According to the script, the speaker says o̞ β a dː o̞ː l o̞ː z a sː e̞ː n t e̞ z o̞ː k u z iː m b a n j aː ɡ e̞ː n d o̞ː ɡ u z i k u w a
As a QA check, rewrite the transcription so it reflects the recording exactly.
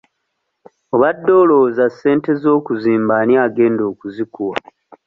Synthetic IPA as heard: o̞ β a dː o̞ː l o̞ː z a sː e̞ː n t e̞ z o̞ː k u z iː m b a n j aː ɡ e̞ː n d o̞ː k u z i k u w a